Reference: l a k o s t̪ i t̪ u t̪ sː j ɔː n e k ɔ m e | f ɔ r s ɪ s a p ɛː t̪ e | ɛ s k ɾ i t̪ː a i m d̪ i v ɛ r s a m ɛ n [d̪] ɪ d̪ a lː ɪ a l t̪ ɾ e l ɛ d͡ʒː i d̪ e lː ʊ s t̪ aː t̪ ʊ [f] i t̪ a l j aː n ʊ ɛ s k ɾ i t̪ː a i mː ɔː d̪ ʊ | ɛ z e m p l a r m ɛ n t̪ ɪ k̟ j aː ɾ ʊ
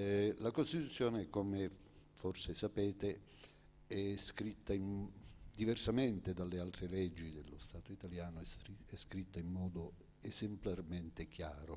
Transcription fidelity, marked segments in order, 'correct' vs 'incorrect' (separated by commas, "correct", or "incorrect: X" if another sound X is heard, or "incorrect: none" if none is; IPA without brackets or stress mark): incorrect: t̪, incorrect: none